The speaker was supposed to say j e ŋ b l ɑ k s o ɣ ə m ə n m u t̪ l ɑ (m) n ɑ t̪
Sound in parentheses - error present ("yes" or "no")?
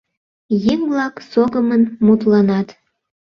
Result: yes